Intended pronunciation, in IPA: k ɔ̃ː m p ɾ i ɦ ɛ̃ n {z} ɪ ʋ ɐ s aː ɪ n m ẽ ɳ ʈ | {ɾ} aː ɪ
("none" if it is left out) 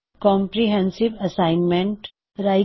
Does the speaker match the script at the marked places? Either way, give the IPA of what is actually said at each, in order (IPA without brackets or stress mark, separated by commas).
s, ɾ